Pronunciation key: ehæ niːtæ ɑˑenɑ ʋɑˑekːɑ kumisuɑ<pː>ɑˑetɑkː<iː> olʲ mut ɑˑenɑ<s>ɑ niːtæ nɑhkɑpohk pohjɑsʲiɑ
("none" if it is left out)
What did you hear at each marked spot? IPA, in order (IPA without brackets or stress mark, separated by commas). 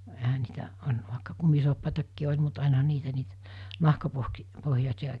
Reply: pː, iː, h